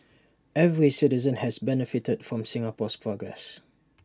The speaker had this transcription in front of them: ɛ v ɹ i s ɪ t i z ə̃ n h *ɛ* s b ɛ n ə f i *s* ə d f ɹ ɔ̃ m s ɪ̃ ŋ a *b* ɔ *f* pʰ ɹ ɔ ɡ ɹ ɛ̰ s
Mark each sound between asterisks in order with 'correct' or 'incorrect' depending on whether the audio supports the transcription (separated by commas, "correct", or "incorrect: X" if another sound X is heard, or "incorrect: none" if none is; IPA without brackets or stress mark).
correct, incorrect: t, incorrect: p, incorrect: s